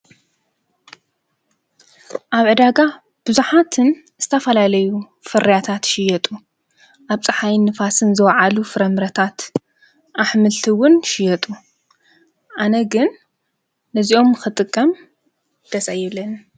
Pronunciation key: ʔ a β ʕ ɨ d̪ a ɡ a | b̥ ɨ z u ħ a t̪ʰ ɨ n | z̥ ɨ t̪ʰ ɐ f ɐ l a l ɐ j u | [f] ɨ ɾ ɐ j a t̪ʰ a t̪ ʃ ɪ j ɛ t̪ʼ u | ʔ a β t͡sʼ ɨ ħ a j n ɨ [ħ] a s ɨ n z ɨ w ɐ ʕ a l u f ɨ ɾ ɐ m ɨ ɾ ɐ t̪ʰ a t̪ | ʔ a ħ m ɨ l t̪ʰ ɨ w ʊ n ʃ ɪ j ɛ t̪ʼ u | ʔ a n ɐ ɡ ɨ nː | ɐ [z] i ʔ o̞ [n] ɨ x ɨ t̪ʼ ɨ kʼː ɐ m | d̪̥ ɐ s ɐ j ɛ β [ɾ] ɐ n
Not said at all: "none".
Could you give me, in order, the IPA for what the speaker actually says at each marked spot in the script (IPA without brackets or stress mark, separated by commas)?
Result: f, f, z, m, l